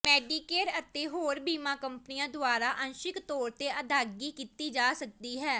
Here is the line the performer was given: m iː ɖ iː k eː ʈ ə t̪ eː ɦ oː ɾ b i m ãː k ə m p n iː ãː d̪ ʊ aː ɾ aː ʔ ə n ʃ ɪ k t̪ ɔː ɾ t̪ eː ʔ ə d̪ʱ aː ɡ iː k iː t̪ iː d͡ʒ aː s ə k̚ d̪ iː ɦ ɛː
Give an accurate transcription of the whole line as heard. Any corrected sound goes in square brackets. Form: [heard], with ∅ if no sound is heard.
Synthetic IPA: m [ɛː] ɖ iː k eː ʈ ə t̪ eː ɦ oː ɾ b [iː] m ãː k ə m p n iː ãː d̪ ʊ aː ɾ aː ʔ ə n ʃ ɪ k t̪ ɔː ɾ t̪ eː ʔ ə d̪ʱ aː ɡ iː k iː t̪ iː d͡ʒ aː s ə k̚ d̪ iː ɦ ɛː